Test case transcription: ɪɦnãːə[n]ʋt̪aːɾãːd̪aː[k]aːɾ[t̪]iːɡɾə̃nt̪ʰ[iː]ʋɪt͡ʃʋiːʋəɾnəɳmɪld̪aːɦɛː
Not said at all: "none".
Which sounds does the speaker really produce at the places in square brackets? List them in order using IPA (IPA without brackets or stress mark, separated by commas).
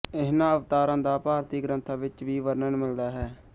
none, p, t̪, aː